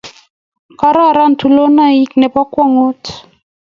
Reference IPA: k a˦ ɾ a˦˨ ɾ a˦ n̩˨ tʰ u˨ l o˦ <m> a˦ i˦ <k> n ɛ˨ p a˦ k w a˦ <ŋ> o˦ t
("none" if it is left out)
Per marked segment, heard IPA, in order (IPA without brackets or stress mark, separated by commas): n, k, ŋ